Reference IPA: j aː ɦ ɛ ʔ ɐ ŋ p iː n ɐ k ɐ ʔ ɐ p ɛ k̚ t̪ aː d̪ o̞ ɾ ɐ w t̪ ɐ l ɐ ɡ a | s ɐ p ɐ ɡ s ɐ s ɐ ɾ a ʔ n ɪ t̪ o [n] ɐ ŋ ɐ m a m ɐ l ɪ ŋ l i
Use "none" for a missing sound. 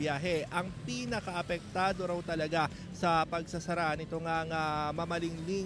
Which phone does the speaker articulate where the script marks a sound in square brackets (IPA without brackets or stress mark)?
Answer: ŋ